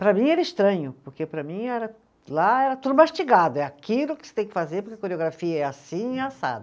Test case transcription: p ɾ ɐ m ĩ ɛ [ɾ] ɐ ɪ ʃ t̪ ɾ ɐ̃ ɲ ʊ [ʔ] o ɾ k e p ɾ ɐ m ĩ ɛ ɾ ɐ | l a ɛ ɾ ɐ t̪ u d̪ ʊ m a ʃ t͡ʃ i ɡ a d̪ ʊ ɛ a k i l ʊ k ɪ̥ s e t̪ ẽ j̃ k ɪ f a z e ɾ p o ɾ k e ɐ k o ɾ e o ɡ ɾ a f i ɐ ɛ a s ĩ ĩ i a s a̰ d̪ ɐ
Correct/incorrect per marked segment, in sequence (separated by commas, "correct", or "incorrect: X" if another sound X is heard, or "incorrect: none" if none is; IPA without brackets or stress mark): correct, incorrect: p